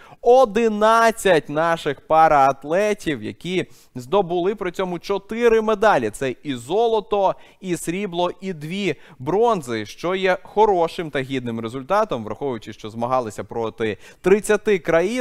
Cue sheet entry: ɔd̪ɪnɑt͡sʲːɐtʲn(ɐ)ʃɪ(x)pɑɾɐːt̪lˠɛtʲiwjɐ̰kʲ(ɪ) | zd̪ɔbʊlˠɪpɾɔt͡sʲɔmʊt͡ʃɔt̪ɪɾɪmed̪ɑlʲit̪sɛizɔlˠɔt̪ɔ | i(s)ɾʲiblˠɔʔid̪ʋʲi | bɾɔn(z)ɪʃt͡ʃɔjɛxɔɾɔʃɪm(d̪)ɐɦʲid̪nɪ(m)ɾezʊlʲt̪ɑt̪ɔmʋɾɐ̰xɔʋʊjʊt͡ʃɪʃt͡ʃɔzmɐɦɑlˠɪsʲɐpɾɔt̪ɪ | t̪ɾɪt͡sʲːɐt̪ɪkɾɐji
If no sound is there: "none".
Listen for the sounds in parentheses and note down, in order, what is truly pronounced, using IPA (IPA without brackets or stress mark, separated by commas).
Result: ɑ, x, i, s, z, t̪, m